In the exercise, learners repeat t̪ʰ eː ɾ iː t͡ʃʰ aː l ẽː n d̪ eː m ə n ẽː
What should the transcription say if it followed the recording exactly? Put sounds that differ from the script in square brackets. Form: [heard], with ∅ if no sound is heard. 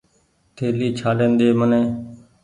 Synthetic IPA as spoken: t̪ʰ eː [l] iː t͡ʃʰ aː l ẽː n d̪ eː m ə n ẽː